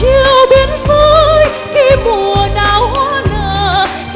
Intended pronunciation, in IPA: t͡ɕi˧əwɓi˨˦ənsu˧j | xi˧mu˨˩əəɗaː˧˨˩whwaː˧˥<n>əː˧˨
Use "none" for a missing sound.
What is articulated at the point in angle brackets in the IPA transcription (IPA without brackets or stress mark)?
n